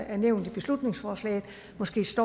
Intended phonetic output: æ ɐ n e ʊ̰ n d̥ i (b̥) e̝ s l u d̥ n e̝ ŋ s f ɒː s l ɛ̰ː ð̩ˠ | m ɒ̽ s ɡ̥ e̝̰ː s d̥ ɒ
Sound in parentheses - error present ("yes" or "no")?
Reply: no